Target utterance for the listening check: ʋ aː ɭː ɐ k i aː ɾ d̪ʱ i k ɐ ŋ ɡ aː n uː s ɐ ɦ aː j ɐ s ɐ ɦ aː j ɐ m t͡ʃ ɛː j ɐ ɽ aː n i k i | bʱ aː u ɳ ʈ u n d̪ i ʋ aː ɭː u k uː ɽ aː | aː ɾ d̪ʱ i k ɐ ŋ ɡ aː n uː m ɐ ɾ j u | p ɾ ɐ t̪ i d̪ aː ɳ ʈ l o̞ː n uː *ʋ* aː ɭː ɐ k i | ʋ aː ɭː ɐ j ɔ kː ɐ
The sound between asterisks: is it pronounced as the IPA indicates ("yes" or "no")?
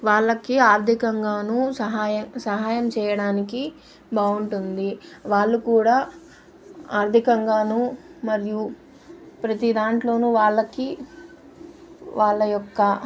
yes